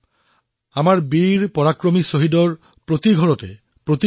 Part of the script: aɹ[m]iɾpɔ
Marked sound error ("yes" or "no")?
yes